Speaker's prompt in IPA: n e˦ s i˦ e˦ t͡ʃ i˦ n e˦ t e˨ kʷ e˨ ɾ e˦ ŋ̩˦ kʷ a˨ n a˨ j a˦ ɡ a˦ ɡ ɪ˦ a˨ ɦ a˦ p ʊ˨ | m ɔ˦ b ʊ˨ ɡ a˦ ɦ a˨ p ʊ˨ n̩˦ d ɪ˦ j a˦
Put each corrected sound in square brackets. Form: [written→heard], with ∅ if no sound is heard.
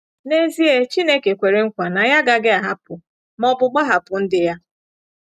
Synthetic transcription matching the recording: n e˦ [s→z] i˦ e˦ t͡ʃ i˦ n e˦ [t→k] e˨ kʷ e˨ ɾ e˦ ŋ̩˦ kʷ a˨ n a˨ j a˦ ɡ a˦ ɡ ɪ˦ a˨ ɦ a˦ p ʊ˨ | m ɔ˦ b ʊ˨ [ɡ→ɡ͡b] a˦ ɦ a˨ p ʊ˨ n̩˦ d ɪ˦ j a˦